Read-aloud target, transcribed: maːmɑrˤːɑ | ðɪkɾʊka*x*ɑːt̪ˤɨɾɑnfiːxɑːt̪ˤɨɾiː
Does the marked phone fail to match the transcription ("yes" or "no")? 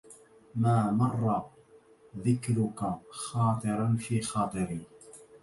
no